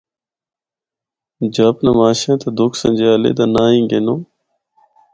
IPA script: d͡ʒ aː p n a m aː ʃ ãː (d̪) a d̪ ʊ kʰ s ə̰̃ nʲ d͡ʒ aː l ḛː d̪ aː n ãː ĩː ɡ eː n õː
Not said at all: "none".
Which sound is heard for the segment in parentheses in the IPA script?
t̪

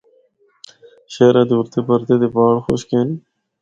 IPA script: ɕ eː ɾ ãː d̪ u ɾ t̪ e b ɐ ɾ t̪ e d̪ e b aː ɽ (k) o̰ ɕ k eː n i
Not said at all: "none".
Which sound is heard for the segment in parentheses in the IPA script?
x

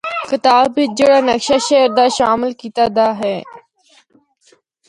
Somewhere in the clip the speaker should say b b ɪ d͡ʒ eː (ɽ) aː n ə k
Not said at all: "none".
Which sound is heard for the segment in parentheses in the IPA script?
ɽ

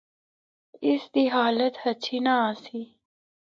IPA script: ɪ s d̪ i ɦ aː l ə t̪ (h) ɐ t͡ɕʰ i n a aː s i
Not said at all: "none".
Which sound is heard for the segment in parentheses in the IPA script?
h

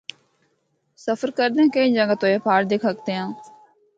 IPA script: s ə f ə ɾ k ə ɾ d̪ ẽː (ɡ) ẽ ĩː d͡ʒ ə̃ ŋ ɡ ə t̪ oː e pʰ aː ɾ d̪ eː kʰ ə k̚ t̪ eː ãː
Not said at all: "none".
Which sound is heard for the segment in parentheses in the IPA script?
k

